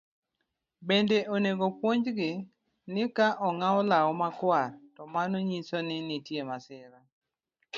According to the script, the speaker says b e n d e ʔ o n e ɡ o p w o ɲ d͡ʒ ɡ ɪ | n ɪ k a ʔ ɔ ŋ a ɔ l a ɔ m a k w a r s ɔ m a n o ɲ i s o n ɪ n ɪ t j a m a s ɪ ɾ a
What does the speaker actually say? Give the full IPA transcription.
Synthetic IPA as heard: b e n d e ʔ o n e ɡ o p w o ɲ d͡ʒ ɡ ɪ | n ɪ k a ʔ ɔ ŋ a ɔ l a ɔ m a k w a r t ɔ m a n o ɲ i s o n ɪ n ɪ t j e m a s ɪ ɾ a

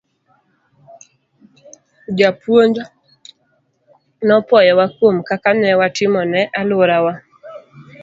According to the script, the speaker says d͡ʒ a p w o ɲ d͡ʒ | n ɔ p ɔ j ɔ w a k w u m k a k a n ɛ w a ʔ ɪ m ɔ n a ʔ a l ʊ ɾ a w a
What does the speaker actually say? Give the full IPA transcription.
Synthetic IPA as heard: d͡ʒ a p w o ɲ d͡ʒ | n ɔ p ɔ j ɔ w a k w o m k a k a n ɛ w a t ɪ m ɔ n ɛ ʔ a l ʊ ɾ a w a

